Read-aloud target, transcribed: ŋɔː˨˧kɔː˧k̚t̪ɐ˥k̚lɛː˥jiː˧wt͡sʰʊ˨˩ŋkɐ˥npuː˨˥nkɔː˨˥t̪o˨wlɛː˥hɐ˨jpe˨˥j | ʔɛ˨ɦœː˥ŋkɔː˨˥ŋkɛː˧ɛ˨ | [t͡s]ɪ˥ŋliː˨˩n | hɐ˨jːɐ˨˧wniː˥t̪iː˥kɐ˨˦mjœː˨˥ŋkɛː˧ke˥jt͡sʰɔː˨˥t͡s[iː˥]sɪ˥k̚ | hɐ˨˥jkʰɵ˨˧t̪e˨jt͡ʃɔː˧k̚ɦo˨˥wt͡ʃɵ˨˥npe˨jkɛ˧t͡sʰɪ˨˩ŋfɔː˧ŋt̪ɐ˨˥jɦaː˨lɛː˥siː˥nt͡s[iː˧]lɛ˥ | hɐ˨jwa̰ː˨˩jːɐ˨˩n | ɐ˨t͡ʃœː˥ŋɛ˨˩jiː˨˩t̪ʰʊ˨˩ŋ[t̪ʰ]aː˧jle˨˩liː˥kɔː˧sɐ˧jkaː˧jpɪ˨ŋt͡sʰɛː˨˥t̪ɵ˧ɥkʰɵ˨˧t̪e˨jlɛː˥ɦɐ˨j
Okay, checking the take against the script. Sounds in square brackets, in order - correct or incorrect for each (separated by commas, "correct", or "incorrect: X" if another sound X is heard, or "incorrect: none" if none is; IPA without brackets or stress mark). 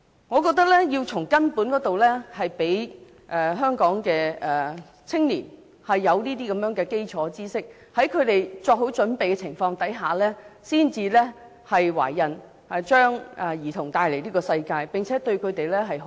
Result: incorrect: t͡sʰ, correct, correct, incorrect: t̪